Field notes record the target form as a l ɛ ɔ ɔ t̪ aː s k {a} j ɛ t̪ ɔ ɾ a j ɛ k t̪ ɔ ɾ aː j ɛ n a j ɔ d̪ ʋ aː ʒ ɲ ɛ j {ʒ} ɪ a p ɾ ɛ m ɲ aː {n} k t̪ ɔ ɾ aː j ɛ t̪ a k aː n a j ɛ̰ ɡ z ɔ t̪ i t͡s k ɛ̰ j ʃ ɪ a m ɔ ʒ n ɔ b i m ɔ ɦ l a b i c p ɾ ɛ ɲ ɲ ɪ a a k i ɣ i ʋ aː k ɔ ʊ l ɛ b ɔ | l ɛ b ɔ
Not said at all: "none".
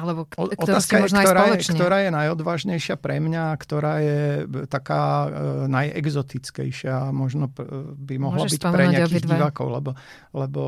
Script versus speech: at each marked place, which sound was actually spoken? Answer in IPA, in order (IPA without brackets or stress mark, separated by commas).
a, ʃ, none